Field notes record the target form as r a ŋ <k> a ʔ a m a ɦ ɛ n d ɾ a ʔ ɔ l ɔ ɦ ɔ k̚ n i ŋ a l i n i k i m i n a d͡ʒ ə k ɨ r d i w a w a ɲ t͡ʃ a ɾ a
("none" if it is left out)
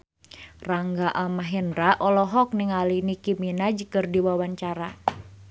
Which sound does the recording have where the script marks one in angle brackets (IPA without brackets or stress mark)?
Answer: ɡ